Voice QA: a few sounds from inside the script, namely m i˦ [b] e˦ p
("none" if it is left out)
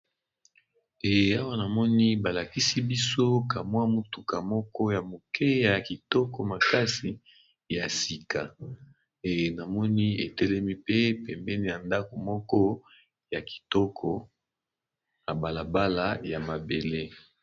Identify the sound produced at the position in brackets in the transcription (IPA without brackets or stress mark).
p